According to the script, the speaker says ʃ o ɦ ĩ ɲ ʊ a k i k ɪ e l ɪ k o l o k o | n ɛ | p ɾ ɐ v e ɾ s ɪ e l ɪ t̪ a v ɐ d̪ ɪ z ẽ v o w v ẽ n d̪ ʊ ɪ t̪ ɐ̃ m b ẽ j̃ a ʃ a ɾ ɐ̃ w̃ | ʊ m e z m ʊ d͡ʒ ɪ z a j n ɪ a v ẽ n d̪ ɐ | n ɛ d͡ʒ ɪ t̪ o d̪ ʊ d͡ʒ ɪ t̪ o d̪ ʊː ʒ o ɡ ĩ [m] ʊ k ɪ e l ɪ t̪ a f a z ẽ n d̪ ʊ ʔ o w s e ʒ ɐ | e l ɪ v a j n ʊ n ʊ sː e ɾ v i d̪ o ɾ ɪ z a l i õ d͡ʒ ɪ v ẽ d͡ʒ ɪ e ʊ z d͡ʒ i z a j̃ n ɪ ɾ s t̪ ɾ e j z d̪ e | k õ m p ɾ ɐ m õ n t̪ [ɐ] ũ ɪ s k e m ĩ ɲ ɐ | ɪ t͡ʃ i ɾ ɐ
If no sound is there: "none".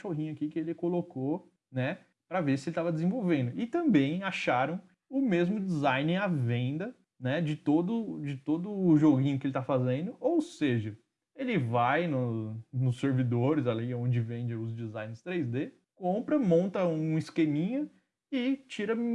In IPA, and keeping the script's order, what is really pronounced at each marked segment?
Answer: ɲ, ɐ

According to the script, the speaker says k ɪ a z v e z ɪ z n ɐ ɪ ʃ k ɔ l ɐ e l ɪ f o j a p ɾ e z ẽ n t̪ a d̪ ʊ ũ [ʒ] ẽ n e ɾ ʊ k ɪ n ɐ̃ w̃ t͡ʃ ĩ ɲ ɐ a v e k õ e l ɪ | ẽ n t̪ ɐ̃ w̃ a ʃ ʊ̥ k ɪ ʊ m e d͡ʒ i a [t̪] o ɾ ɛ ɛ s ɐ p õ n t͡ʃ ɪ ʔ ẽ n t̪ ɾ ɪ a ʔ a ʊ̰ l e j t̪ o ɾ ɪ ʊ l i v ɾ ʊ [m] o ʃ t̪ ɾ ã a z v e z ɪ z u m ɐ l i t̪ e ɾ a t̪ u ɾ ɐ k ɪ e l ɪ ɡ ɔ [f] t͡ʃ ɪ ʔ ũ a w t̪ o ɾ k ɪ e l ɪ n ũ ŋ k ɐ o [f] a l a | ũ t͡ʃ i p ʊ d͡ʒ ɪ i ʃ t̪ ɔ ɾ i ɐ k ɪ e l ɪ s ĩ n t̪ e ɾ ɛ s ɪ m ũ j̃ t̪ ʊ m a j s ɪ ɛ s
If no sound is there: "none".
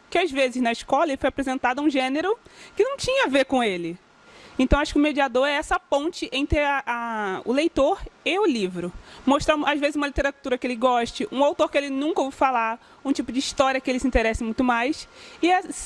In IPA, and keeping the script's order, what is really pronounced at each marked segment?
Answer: ʒ, d̪, m, ʃ, f

